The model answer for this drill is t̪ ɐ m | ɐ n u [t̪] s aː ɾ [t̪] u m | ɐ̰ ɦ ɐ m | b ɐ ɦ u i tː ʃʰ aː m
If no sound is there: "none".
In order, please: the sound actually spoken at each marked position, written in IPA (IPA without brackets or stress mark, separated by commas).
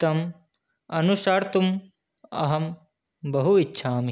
none, t̪